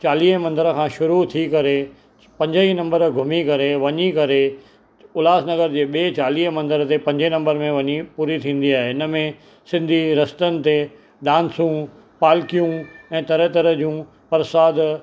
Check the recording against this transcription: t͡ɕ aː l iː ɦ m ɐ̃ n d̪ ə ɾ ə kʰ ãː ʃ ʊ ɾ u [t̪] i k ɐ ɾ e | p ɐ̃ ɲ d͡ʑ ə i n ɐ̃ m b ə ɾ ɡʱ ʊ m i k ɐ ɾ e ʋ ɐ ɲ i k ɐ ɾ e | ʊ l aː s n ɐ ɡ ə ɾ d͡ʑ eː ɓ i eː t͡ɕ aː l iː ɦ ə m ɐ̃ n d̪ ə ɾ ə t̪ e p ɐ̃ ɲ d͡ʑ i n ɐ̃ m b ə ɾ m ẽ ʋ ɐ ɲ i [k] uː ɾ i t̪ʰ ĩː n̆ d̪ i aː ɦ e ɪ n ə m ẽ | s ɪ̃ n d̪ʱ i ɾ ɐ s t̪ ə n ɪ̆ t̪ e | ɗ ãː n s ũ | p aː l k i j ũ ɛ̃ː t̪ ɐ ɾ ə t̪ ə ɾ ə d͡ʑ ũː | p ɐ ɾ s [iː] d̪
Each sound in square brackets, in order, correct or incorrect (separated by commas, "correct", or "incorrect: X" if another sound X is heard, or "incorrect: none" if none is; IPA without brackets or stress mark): incorrect: t̪ʰ, incorrect: p, incorrect: aː